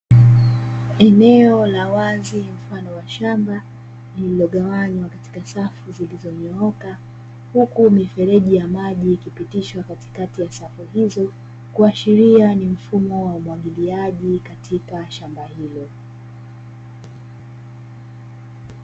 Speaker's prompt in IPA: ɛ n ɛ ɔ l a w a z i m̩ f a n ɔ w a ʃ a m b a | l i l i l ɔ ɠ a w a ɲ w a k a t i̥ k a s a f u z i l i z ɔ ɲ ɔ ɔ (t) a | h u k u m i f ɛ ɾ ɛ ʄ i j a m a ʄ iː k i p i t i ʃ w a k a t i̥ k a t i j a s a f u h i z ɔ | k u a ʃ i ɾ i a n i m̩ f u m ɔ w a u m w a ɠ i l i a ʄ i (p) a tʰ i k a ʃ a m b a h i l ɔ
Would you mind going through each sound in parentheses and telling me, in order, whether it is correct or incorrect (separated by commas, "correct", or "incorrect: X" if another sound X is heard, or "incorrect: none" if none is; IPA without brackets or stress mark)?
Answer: incorrect: k, incorrect: k